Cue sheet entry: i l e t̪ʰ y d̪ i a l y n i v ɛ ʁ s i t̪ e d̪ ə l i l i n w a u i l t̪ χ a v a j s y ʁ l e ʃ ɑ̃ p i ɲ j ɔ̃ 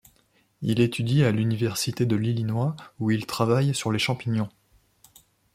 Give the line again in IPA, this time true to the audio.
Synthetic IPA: i l e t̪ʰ y d̪ i a l y n i v ɛ ʁ s i t̪ e d̪ ə l i l i n w a u i l t̪ χ a v a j s y ʁ l e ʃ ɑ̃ p i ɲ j ɔ̃